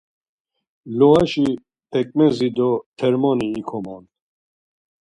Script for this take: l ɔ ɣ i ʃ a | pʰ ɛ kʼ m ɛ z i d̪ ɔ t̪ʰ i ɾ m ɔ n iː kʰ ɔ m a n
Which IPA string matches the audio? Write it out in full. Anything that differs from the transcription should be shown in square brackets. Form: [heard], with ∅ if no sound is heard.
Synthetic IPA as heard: l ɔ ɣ [a] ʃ [i] | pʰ ɛ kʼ m ɛ z i d̪ ɔ t̪ʰ [ɛ] ɾ m ɔ n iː kʰ ɔ m a n